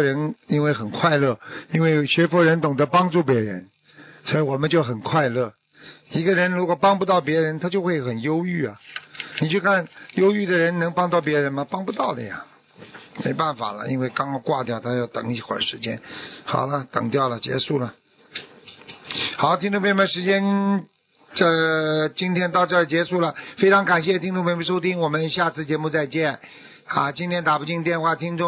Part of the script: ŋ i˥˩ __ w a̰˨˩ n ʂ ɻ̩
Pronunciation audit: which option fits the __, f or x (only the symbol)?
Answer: x